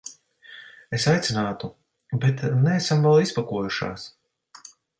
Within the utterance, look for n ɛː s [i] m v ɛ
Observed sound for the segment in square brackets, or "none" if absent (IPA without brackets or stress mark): a